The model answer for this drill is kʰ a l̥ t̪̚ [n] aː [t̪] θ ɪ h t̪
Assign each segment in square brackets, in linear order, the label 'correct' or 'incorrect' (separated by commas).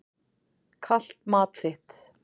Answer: incorrect, correct